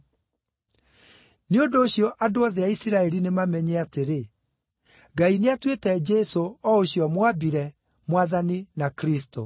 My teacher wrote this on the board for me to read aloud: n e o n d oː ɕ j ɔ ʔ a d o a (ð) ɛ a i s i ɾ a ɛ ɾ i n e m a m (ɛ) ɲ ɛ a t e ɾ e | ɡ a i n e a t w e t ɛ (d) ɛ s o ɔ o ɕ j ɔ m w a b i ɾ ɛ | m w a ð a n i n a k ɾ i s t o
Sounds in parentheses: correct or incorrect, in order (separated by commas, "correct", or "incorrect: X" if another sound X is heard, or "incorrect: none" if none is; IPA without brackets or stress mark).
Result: correct, correct, incorrect: d͡ʒ